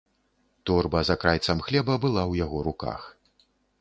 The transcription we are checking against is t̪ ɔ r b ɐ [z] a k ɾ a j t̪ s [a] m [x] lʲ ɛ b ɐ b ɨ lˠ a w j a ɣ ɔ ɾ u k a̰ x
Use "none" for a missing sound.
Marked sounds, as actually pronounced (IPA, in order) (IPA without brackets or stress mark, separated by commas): z, ɐ, x